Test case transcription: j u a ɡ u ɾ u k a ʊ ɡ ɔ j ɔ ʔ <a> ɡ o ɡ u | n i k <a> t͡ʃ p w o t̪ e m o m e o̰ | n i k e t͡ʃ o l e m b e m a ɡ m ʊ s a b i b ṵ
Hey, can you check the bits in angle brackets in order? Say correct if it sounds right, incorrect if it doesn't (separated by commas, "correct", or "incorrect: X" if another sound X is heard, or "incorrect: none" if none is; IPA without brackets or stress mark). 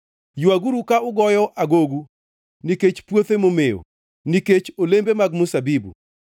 correct, incorrect: e